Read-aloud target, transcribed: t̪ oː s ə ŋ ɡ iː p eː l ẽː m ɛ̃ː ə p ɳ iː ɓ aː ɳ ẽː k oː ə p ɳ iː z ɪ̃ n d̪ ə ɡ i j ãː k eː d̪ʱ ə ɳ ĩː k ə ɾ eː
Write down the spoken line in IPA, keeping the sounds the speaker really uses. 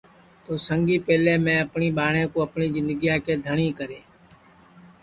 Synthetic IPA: t̪ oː s ə ŋ ɡ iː p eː l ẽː m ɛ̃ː ə p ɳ iː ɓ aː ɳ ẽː k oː ə p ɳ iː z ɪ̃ n d̪ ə ɡ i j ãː k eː d̪ʱ ə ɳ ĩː k ə ɾ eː